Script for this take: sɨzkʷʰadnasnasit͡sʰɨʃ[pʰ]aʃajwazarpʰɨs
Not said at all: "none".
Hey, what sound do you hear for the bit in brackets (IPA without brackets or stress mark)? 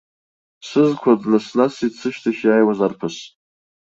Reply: tʰ